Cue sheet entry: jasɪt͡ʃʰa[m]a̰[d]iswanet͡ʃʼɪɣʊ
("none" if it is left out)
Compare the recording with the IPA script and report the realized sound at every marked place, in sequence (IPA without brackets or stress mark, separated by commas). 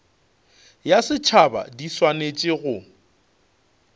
b, d